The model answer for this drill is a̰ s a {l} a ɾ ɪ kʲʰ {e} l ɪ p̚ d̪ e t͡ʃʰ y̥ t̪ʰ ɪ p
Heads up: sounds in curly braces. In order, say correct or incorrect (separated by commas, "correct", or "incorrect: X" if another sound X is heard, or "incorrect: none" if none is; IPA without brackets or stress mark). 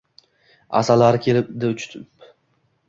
correct, correct